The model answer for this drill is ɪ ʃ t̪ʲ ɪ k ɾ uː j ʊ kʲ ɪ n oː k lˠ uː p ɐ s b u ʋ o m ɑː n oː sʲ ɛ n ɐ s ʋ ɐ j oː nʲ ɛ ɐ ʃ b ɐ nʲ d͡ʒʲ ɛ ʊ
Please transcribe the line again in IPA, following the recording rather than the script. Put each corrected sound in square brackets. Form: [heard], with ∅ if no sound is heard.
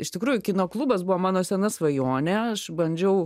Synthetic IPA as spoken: ɪ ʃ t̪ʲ ɪ k ɾ uː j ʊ kʲ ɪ n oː k lˠ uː [b] ɐ s b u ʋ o m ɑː n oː sʲ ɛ n ɐ s ʋ ɐ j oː nʲ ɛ ɐ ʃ b ɐ nʲ d͡ʒʲ ɛ ʊ